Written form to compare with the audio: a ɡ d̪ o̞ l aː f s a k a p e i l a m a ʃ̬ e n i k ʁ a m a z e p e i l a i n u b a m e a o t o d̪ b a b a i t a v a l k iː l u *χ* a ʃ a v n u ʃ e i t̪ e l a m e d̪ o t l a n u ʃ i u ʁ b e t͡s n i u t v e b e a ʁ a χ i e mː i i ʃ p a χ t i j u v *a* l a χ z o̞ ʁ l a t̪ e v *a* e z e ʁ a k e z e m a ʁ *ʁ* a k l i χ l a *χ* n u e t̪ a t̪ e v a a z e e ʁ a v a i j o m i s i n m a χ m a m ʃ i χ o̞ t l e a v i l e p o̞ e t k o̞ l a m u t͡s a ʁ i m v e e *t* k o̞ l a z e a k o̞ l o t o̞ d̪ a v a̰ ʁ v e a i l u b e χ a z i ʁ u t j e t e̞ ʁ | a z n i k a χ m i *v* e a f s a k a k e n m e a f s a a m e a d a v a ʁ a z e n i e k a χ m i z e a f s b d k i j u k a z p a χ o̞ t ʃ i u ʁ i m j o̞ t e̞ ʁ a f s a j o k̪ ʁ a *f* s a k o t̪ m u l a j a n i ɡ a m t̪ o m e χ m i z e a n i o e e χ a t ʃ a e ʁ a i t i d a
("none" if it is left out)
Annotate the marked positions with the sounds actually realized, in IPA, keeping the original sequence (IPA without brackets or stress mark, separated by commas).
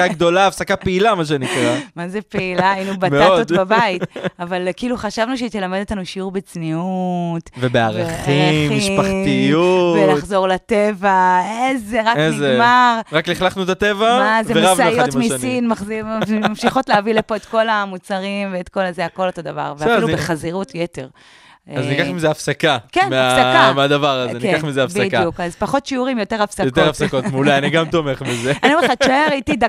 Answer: χ, e, a, ʁ, χ, t, z, f